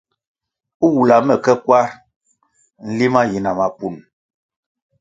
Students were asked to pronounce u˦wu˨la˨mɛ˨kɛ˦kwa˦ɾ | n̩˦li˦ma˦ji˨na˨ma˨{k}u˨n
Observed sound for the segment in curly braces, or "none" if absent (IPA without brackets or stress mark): p